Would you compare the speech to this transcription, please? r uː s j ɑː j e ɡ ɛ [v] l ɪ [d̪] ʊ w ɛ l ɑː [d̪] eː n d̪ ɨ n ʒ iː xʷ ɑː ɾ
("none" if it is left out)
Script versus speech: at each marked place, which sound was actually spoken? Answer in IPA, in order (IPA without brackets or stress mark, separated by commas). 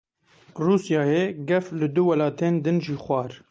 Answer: f, d̪, t̪